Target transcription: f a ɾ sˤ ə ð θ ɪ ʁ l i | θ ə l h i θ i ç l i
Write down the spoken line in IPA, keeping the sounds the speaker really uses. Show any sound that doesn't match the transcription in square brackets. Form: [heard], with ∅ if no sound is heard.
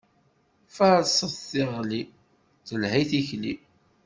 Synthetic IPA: f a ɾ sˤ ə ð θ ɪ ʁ l i | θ ə l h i θ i ç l i